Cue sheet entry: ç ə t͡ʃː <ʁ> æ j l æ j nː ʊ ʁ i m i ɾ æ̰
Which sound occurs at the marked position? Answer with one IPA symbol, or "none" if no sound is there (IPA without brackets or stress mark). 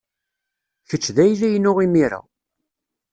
ð